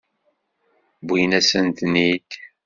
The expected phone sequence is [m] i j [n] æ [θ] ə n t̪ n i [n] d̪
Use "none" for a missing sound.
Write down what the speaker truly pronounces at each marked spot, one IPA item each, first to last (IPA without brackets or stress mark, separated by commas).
b, n, s, none